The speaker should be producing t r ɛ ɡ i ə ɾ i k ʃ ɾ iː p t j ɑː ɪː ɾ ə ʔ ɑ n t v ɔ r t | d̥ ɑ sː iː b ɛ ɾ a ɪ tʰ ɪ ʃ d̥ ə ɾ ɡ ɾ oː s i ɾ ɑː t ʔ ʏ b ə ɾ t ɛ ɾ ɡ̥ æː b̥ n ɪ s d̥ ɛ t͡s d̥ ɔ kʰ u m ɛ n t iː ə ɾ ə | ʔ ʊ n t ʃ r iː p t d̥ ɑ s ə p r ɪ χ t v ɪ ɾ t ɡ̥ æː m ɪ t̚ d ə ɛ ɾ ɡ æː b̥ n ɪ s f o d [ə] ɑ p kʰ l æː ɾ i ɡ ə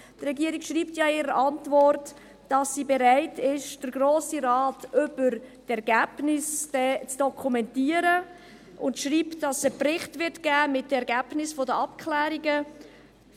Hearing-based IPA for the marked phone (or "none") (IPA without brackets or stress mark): ə